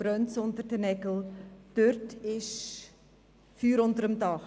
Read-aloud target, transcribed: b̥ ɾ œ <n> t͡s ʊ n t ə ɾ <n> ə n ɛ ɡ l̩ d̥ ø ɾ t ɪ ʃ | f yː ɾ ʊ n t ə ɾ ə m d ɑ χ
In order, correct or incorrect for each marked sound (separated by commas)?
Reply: correct, incorrect